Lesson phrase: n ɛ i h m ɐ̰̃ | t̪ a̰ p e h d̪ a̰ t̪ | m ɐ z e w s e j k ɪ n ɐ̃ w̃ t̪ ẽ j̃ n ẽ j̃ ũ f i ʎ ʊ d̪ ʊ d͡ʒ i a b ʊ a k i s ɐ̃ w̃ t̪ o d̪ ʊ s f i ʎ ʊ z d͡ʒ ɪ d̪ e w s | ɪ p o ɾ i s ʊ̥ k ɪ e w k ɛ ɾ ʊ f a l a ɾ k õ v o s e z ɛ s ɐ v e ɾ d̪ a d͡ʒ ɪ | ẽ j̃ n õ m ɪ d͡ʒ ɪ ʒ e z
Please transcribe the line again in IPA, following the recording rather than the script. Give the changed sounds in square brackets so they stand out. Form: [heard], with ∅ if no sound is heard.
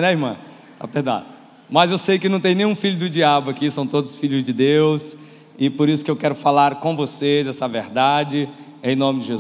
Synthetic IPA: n ɛ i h m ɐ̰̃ | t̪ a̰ p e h d̪ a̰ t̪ | m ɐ z e w s e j k ɪ n ɐ̃ w̃ t̪ ẽ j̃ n ẽ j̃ ũ f i ʎ ʊ d̪ ʊ d͡ʒ i a b ʊ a k i s ɐ̃ w̃ t̪ o d̪ ʊ s f i ʎ ʊ z d͡ʒ ɪ d̪ e w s | ɪ p o ɾ i s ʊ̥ k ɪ e w k ɛ ɾ ʊ f a l a ɾ k õ v o s e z ɛ s ɐ v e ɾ d̪ a d͡ʒ ɪ | ẽ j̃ n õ m ɪ d͡ʒ ɪ ʒ e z